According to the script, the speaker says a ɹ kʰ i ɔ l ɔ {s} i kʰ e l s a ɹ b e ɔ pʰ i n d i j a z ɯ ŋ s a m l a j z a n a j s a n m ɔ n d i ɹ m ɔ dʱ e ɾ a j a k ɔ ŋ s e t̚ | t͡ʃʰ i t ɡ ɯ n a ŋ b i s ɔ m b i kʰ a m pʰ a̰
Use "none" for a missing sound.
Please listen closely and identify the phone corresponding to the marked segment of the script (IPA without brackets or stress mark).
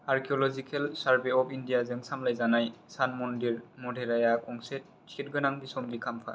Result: z